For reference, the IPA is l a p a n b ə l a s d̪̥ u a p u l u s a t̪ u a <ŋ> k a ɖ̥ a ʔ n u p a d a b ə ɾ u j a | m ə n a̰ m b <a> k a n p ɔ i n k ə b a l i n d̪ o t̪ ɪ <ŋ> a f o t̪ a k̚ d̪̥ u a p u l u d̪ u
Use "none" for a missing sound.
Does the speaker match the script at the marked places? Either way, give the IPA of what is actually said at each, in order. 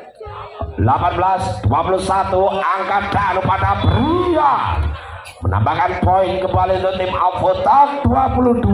ŋ, a, m

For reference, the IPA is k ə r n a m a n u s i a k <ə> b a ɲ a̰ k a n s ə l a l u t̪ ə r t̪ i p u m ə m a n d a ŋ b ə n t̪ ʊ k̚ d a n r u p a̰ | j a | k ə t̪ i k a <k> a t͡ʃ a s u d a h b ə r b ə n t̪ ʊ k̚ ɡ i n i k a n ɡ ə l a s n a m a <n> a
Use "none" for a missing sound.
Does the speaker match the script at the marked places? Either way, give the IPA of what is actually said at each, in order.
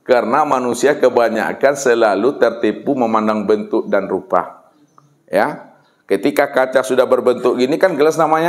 ə, k, ɲ

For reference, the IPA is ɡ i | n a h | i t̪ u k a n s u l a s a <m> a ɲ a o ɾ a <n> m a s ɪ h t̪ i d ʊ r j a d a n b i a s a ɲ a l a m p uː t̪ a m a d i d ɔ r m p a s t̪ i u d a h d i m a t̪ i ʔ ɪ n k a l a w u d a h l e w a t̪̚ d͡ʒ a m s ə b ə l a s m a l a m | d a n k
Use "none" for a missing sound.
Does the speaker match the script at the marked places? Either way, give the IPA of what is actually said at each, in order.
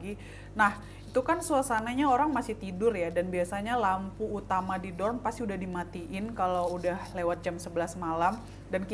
n, ŋ

